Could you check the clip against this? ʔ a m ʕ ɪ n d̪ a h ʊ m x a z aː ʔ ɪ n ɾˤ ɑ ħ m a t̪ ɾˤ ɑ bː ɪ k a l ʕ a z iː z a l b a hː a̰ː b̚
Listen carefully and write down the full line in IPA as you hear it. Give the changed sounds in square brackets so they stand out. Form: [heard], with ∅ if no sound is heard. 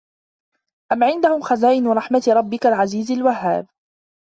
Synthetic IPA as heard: ʔ a m ʕ ɪ n d̪ a h ʊ m x a z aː ʔ ɪ n ɾˤ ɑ ħ m a t̪ ɾˤ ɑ bː ɪ k a l ʕ a z iː z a l [w] a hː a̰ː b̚